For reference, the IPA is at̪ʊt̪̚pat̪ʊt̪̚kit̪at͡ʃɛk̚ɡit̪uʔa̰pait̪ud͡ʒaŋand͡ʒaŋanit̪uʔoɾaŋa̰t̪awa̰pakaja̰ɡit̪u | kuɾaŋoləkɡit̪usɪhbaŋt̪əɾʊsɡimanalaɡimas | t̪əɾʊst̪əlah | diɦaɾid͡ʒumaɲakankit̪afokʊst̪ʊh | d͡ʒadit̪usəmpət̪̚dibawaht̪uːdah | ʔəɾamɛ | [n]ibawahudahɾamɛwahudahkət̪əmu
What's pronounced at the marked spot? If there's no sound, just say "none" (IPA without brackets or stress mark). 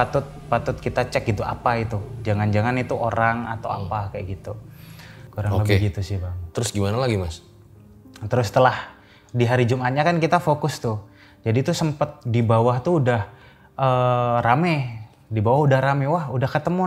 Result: d